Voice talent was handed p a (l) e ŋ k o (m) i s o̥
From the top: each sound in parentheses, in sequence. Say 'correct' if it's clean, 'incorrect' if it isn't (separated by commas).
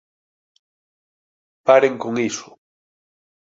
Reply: incorrect, incorrect